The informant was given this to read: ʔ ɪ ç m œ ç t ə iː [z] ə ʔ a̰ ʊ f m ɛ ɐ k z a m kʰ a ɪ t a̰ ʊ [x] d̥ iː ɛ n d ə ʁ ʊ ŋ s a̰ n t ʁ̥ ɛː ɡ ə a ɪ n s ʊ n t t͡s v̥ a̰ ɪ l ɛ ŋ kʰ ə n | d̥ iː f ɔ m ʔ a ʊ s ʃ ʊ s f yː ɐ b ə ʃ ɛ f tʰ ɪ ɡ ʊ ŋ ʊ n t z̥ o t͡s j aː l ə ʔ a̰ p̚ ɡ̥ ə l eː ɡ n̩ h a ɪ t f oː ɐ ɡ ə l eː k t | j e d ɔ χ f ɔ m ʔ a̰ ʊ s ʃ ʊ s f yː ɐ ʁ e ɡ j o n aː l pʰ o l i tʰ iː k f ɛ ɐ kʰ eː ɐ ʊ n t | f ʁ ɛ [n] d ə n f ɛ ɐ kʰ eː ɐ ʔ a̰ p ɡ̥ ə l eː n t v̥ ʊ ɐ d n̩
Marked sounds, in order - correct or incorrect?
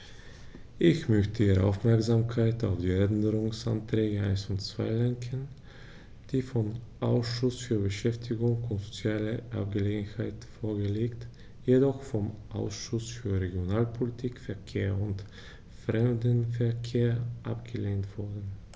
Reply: incorrect: ʁ, incorrect: f, incorrect: m

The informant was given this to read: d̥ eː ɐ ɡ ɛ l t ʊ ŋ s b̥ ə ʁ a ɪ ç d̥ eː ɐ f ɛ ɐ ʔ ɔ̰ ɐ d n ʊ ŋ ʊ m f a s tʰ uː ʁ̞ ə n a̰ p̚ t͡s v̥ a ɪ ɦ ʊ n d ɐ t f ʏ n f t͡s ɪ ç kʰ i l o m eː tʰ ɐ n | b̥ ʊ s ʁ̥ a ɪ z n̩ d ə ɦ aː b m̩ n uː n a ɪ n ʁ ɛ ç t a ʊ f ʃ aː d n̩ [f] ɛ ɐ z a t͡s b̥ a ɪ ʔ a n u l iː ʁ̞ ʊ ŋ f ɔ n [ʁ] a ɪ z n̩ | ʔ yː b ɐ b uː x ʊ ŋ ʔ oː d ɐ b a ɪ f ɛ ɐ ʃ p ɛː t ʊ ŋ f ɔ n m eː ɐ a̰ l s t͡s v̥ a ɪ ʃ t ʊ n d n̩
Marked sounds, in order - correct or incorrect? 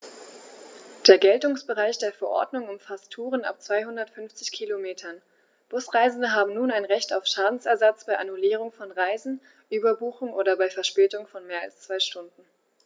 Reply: incorrect: s, correct

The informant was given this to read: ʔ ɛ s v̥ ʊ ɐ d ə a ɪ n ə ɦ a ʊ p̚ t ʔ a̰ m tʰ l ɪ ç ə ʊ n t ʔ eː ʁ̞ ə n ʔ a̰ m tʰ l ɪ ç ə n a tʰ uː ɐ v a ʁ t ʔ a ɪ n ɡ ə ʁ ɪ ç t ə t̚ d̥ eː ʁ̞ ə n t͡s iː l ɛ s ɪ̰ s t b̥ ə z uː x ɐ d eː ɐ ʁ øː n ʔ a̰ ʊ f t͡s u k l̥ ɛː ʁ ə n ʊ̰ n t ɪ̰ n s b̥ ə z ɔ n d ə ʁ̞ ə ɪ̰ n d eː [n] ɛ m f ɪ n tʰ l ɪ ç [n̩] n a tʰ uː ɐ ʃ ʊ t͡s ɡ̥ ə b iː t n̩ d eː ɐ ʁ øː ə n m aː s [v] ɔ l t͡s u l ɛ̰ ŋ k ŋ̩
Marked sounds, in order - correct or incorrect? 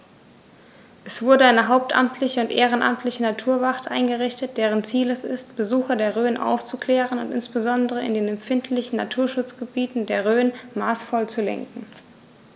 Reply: correct, correct, incorrect: f

